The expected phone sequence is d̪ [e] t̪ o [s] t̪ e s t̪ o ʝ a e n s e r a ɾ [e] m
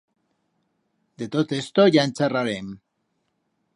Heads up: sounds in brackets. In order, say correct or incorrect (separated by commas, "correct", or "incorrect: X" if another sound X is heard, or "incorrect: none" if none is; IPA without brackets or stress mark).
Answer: correct, incorrect: none, correct